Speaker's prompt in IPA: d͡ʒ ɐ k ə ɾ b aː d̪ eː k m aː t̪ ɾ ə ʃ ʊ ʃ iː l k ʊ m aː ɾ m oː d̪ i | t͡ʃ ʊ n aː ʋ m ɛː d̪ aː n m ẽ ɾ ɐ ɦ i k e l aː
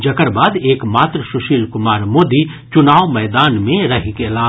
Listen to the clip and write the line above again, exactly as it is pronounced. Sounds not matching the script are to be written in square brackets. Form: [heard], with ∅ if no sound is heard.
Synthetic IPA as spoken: d͡ʒ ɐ k ə ɾ b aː d̪ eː k m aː t̪ ɾ ə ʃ ʊ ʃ iː l k ʊ m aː ɾ m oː d̪ i | t͡ʃ ʊ n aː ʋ m ɛː d̪ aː n m ẽ ɾ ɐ ɦ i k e l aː